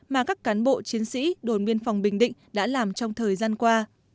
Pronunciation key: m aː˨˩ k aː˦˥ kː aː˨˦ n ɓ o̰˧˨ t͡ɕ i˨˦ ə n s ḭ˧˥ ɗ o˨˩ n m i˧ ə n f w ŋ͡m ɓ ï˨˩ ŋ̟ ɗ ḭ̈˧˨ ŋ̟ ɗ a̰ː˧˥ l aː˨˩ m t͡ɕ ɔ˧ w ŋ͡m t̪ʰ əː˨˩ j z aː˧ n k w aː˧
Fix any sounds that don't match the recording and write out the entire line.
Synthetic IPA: m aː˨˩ k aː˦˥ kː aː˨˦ n ɓ o̰˧˨ t͡ɕ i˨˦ ə n s ḭ˧˥ ɗ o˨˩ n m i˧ ə n f w ŋ͡m ɓ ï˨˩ ŋ̟ ɗ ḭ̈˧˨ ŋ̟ ɗ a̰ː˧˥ l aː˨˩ m t͡ɕ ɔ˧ w ŋ͡m t̪ʰ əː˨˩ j z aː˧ n k w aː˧